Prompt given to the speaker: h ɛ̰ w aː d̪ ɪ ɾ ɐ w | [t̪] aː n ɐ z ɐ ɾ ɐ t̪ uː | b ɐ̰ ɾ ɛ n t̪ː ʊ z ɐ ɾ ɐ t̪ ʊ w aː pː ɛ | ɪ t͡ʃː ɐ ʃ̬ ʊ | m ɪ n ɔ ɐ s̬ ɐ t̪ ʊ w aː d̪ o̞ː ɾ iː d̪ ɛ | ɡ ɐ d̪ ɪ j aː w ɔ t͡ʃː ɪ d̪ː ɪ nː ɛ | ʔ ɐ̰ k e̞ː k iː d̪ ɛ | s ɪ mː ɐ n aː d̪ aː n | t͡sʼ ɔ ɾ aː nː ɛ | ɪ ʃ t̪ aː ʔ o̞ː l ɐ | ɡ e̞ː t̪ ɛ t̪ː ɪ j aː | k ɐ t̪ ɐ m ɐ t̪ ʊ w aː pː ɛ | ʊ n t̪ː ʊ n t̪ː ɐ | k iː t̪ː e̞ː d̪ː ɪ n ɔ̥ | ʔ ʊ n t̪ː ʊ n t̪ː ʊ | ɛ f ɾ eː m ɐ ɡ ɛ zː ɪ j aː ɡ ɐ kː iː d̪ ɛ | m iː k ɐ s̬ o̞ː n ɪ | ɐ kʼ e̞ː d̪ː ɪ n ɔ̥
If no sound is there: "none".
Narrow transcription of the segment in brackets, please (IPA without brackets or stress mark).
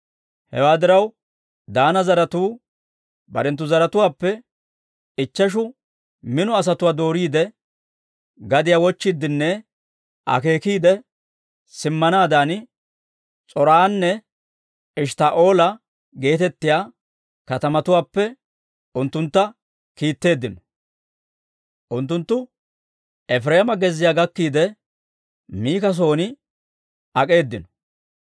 d̪